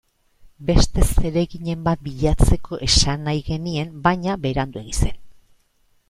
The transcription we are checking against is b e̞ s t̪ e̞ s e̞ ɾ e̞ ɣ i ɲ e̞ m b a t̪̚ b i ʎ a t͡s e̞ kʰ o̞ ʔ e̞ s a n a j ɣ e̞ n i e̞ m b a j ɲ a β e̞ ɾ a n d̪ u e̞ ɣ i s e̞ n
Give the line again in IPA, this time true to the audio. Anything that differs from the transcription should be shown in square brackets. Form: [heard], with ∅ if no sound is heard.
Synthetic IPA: b e̞ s t̪ e̞ s e̞ ɾ e̞ ɣ i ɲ e̞ m b a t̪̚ b i ʎ a t͡s e̞ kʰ o̞ ʔ e̞ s a n a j ɣ e̞ n i e̞ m b a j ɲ a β e̞ ɾ a n d̪ u e̞ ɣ i s e̞ n